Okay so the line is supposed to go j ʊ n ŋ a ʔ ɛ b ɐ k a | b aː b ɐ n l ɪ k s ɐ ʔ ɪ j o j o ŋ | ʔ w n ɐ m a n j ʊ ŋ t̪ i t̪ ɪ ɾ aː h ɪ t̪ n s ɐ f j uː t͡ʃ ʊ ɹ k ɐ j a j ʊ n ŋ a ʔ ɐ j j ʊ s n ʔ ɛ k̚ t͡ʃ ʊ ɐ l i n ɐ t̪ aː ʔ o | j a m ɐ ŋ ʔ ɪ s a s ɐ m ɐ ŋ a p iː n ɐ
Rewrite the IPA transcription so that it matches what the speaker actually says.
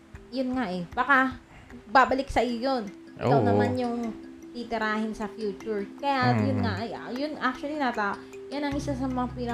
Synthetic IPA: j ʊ n ŋ a ʔ ɛ b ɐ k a | b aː b ɐ l ɪ k s ɐ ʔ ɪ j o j o n | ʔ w n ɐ m a n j ʊ ŋ t̪ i t̪ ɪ ɾ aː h ɪ n s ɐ f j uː t͡ʃ ʊ ɹ k ɐ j a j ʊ n ŋ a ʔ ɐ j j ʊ n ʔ a k̚ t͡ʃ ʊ ɐ l i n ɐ t̪ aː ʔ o | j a n ɐ ŋ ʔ ɪ s a s ɐ m ɐ ŋ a p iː n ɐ